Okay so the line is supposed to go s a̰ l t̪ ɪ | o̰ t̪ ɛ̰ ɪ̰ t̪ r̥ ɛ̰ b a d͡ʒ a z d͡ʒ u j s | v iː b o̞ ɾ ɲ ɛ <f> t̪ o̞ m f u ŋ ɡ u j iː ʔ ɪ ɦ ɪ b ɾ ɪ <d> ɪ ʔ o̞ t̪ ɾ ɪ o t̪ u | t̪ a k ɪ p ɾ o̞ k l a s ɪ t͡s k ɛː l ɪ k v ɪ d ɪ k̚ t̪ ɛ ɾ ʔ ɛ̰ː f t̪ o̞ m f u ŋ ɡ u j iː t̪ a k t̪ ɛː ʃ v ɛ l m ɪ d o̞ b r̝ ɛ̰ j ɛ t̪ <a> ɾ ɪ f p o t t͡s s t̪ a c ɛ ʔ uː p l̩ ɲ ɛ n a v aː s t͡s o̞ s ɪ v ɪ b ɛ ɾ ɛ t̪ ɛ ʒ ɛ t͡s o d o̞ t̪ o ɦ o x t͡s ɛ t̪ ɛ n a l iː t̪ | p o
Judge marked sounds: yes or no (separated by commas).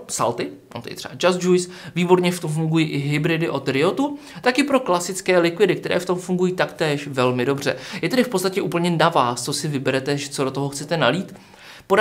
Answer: yes, yes, no